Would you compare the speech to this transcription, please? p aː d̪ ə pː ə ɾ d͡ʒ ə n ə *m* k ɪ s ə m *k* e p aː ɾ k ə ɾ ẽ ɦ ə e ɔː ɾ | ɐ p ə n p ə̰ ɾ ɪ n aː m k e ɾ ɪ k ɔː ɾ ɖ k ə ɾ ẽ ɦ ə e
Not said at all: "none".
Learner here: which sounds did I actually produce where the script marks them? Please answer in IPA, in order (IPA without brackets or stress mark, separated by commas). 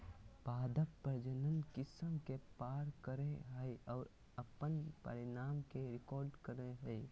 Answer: n, k